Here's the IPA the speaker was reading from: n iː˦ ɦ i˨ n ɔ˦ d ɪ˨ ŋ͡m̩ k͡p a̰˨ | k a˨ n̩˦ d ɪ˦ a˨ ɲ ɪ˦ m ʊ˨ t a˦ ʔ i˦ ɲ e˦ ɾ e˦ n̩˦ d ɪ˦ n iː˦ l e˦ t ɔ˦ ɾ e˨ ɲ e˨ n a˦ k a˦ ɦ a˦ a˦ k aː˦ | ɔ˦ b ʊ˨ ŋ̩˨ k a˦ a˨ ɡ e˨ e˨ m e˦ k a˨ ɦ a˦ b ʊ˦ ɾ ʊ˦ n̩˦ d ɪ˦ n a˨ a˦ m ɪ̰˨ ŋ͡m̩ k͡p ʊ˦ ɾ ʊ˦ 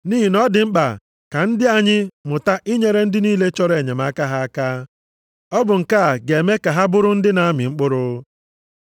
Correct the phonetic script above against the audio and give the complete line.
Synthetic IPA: n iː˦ ɦ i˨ n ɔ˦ d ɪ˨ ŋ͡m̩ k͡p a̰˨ | k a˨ n̩˦ d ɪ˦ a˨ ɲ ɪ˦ m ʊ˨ t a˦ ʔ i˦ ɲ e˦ ɾ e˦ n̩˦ d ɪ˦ n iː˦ l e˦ t͡ʃ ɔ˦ ɾ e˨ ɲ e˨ m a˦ k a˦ ɦ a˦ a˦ k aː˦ | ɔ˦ b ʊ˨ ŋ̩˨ k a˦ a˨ ɡ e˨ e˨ m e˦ k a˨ ɦ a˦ b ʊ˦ ɾ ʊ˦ n̩˦ d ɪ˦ n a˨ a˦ m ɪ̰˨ ŋ͡m̩ k͡p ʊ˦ ɾ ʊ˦

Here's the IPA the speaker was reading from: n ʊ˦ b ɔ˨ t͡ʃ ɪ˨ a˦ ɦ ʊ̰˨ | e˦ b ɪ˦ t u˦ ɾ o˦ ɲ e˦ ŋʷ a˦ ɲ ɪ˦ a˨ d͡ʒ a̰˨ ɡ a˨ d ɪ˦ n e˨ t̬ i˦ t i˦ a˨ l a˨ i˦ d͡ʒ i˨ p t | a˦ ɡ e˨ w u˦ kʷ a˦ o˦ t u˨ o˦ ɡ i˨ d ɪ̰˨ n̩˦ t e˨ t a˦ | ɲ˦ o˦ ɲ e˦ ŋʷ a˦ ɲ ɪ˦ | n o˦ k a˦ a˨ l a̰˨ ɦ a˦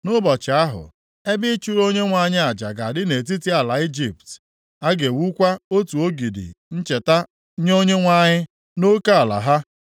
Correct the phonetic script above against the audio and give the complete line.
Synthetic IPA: n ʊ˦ b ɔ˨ t͡ʃ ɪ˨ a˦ ɦ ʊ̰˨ | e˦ b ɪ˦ t͡ʃ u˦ ɾ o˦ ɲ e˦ ŋʷ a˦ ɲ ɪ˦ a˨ d͡ʒ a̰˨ ɡ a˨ d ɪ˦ n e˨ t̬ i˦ t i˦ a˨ l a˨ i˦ d͡ʒ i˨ p t | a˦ ɡ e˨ w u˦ kʷ a˦ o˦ t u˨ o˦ ɡ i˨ d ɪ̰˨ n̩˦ t͡ʃ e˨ t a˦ | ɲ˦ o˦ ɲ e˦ ŋʷ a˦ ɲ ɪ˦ | n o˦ k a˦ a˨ l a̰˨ ɦ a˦

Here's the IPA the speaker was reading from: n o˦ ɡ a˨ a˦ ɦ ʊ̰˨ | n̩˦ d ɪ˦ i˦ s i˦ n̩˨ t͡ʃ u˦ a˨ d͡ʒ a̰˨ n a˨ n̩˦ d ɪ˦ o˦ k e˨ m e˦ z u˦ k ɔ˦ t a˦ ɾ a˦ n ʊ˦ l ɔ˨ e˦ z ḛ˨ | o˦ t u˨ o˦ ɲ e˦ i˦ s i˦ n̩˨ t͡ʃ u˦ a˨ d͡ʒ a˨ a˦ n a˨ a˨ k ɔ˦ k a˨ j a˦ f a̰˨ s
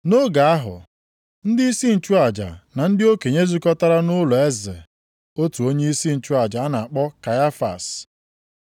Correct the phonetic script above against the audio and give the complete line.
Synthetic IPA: n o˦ ɡ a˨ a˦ ɦ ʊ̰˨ | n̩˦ d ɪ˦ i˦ s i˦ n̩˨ t͡ʃ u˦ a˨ d͡ʒ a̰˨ n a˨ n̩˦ d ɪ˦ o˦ k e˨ ɲ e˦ z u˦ k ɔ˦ t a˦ ɾ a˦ n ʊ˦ l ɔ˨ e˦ z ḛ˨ | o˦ t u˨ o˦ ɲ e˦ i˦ s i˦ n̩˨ t͡ʃ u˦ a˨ d͡ʒ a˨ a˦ n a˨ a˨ k͡p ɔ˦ k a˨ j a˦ f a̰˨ s

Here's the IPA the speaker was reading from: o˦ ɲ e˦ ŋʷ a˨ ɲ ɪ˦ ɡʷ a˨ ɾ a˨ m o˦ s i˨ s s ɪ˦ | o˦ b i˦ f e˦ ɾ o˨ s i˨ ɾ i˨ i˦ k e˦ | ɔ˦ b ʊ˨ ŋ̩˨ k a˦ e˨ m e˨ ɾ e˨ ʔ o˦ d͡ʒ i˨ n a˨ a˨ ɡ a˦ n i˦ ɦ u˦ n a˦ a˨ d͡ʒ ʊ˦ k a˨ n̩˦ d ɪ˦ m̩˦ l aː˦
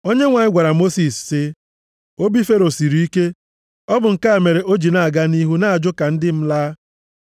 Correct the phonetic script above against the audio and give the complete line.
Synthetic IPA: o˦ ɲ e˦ ŋʷ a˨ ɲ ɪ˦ ɡʷ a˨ ɾ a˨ m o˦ s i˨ s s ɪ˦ | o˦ b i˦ f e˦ ɾ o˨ s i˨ ɾ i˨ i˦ k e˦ | ɔ˦ b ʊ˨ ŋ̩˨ k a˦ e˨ m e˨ ɾ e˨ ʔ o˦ d͡ʒ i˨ n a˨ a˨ ɡ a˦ n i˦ ɦ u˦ n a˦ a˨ d͡ʒ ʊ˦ k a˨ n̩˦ d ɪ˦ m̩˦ l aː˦

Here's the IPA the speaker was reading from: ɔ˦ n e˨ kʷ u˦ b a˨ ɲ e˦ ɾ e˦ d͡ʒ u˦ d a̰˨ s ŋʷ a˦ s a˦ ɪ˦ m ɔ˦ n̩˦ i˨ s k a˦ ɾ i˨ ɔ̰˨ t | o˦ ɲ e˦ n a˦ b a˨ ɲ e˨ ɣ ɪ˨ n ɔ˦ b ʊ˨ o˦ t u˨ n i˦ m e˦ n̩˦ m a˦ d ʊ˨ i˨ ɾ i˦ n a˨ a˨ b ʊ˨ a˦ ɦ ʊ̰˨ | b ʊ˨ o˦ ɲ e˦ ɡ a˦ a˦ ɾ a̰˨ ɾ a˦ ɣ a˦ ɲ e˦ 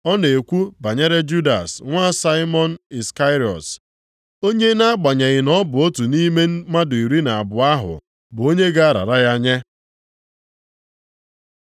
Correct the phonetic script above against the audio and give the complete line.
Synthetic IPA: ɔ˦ n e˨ kʷ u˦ b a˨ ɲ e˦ ɾ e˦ d͡ʒ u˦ d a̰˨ s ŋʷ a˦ s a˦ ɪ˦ m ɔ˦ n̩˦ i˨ s k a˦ ɾ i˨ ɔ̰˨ t | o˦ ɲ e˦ n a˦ ɡ͡b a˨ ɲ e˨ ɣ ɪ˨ n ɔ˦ b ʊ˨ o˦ t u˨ n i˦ m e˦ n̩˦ m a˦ d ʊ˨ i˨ ɾ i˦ n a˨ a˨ b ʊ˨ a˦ ɦ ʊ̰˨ | b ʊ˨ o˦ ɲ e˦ ɡ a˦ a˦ ɾ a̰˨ ɾ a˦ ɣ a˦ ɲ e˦

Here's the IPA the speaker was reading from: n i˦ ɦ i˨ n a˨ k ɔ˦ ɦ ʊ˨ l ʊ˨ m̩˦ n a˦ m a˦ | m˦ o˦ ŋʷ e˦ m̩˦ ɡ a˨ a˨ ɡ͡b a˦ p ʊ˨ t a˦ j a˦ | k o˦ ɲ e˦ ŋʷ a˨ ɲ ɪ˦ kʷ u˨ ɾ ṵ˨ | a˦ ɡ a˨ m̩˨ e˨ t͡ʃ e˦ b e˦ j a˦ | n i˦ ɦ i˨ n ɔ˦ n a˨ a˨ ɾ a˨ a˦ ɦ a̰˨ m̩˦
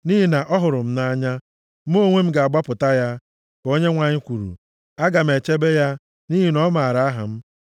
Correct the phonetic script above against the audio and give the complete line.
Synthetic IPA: n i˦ ɦ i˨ n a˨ ʔ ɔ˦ ɦ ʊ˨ ɾ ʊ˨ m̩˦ n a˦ ɲ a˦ | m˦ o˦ ŋʷ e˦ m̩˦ ɡ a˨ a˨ ɡ͡b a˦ p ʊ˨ t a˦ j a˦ | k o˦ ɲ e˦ ŋʷ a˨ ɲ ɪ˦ kʷ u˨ ɾ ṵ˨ | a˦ ɡ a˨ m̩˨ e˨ t͡ʃ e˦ b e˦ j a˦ | n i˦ ɦ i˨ n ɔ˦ m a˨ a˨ ɾ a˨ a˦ ɦ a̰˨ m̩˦

